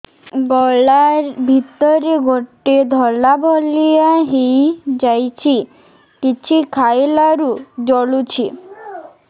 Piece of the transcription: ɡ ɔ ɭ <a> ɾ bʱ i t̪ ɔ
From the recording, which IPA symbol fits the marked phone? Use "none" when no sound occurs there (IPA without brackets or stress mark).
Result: a